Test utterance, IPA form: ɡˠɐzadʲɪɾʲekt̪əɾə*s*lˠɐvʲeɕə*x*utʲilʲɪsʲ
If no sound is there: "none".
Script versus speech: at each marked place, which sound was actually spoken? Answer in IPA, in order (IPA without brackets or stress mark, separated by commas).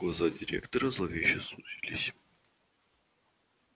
z, s